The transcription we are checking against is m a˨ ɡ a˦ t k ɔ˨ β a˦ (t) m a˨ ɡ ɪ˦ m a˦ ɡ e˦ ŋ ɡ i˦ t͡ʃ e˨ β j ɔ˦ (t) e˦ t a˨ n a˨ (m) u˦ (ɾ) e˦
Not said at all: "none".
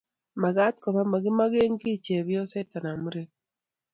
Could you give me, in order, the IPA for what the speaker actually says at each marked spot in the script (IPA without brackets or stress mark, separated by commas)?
none, s, m, ɾ